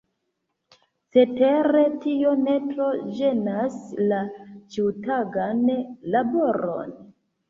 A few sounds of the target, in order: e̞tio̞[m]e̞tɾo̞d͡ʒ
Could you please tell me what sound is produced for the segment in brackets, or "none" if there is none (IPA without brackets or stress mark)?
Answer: n